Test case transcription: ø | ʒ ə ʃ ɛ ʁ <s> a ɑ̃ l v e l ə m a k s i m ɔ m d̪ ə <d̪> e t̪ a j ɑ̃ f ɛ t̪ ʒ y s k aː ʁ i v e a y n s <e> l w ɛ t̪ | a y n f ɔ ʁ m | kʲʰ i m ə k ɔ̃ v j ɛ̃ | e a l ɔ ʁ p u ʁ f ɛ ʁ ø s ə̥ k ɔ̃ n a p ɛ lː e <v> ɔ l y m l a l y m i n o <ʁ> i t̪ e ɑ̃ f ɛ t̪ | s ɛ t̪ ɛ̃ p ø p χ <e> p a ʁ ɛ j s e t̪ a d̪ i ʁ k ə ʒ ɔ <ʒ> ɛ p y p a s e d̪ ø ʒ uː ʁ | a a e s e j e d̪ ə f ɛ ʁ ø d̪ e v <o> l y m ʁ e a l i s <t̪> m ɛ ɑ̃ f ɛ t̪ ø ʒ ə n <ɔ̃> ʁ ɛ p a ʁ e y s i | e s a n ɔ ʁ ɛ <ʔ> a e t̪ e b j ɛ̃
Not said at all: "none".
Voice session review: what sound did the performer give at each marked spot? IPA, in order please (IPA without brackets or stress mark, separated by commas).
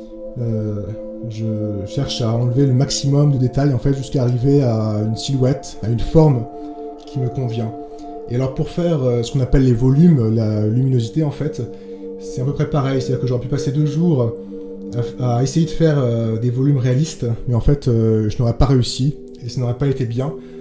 ʃ, d̪, i, v, z, ɛ, ʁ, ɔ, t̪, ɔ, p